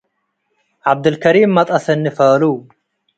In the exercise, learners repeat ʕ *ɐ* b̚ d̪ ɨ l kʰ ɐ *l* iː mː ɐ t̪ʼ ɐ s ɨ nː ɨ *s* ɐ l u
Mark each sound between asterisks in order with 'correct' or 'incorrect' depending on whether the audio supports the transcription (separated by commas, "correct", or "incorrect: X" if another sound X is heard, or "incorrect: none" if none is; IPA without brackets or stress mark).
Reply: incorrect: a, incorrect: ɾ, incorrect: f